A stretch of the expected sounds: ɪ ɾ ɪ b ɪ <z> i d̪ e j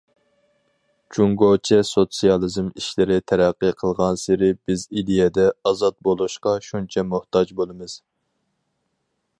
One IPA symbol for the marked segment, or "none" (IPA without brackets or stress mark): z